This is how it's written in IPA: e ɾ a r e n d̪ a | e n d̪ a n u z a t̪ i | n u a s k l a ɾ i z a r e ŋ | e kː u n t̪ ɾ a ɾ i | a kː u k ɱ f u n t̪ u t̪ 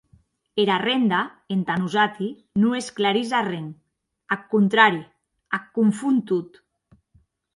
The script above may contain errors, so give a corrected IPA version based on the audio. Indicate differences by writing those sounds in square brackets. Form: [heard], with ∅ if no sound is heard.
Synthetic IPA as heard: e ɾ a r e n d̪ a | e n [t̪] a n u z a t̪ i | n u [e] s k l a ɾ i z a r e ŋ | [a] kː u n t̪ ɾ a ɾ i | a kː u [∅] ɱ f u n t̪ u t̪